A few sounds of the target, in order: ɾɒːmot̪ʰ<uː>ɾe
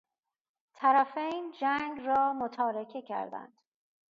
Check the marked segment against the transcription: incorrect: ɒː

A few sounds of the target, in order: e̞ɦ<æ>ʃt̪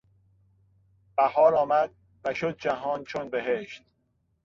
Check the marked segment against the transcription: incorrect: e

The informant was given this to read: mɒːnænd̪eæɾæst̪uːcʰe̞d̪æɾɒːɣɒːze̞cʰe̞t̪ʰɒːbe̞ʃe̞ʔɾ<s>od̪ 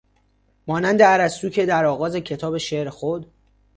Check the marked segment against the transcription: incorrect: x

